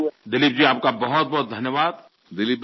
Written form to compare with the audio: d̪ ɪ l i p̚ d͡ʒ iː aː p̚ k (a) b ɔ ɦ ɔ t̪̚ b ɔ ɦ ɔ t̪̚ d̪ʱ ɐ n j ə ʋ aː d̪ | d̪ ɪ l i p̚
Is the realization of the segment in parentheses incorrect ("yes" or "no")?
no